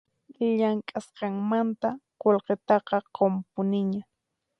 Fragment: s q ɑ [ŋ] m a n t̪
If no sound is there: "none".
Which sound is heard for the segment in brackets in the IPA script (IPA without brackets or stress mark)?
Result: ŋ